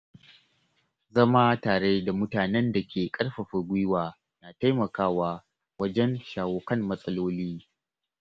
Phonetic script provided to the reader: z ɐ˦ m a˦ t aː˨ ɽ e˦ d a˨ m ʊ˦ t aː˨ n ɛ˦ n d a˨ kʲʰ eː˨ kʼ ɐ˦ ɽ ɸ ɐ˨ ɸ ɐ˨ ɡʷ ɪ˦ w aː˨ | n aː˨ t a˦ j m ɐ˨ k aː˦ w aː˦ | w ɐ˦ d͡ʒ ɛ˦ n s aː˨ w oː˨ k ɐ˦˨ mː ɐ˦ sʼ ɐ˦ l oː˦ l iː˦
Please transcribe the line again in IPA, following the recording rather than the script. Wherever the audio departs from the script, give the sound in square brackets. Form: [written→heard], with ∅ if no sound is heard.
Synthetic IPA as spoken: z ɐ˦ m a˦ t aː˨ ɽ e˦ d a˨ m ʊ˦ t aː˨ n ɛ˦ n d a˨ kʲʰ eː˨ kʼ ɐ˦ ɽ ɸ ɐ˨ ɸ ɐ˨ ɡʷ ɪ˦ w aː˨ | n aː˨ t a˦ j m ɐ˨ k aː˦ w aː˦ | w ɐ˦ d͡ʒ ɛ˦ n [s→ʃ] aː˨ w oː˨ k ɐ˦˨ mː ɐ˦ sʼ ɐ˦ l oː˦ l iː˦